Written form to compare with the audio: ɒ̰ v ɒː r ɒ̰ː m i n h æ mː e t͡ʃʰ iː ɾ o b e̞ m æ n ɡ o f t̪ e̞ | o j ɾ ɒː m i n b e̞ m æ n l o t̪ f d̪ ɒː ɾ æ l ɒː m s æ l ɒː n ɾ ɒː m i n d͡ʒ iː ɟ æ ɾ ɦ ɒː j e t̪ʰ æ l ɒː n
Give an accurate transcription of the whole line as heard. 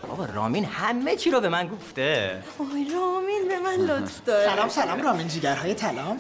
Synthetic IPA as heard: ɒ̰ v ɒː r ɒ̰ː m i n h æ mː e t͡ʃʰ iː ɾ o b e̞ m æ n ɡ o f t̪ e̞ | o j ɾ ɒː m i n b e̞ m æ n l o t̪ f d̪ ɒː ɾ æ l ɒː m s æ l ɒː m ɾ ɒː m i n d͡ʒ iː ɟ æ ɾ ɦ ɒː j e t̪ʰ æ l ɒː m